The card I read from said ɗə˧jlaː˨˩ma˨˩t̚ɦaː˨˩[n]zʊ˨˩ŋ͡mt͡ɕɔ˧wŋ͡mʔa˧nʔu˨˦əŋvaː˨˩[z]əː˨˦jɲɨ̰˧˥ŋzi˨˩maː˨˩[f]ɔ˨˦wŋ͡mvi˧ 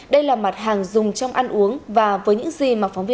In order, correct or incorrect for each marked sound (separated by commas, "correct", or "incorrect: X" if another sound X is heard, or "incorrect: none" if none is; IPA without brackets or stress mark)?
incorrect: ŋ, incorrect: v, correct